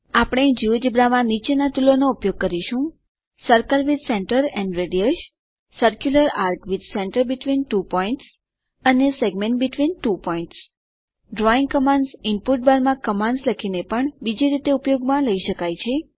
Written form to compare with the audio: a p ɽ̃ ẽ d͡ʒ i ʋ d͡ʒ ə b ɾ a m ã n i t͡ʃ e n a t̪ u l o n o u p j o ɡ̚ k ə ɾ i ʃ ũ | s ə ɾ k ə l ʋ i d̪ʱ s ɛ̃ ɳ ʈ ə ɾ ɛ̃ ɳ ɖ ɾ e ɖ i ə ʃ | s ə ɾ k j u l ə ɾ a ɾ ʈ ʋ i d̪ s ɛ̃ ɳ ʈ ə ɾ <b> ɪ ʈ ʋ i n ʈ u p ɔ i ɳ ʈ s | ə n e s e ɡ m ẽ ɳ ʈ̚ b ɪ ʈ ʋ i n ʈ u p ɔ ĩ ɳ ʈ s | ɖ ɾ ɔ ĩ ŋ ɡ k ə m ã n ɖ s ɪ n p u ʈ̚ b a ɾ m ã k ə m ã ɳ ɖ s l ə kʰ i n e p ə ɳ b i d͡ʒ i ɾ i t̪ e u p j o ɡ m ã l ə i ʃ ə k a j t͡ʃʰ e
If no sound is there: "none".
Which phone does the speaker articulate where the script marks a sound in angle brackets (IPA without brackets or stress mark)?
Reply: b